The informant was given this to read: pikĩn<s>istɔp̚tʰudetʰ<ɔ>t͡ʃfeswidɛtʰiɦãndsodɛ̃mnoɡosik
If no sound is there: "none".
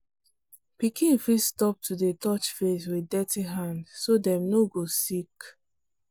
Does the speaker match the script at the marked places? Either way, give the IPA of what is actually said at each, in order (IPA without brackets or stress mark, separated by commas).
f, ɔ